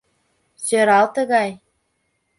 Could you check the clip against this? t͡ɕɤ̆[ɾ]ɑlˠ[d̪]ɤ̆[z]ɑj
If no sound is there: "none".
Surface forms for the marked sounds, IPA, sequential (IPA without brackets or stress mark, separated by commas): ɾ, t̪, ɣ